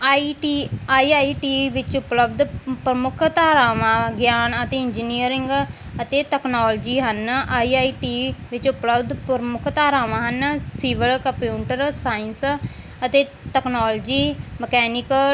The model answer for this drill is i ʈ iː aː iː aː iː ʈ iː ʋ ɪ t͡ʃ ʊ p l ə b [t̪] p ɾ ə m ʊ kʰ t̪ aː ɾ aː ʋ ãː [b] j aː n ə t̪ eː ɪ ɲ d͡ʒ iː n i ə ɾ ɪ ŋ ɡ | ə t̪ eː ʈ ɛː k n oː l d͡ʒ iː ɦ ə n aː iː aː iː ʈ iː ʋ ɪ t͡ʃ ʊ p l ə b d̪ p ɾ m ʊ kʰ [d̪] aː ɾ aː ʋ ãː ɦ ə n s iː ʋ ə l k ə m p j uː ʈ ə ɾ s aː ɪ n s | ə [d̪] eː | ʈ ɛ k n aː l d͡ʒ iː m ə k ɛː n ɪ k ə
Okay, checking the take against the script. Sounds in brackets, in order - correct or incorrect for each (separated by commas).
incorrect, incorrect, incorrect, incorrect